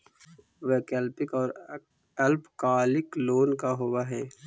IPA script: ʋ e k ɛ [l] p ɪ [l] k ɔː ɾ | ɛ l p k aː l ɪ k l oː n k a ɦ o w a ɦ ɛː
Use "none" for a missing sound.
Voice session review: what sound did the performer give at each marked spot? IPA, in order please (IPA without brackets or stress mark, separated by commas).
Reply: l, none